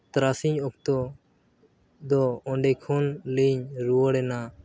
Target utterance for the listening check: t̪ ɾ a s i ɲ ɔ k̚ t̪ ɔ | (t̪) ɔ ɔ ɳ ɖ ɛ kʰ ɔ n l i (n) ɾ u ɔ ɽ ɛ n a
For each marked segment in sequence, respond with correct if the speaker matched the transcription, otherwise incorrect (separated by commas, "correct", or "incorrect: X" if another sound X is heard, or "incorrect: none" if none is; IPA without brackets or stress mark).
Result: incorrect: d̪, incorrect: ɲ